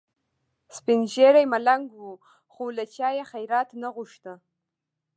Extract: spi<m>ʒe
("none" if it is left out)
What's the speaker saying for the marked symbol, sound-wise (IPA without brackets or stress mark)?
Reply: n